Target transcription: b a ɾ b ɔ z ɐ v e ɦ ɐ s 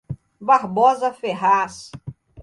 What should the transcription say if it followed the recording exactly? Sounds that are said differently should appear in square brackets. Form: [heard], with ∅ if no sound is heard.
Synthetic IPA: b a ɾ b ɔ z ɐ [f] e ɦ [a] s